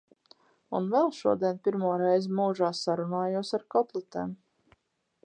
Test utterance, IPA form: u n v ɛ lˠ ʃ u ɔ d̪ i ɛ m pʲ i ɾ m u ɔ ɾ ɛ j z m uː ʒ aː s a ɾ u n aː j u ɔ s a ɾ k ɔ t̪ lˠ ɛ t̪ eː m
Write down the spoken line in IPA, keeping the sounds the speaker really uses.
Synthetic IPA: u n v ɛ lˠ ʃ u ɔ d̪ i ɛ n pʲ i ɾ m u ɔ ɾ ɛ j z m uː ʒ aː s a ɾ u n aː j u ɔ s a ɾ k ɔ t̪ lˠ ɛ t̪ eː m